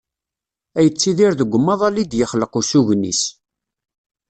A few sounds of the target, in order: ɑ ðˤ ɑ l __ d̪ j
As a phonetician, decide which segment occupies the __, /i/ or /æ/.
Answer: i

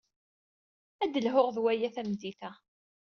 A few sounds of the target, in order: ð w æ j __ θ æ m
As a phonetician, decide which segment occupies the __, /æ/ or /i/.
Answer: æ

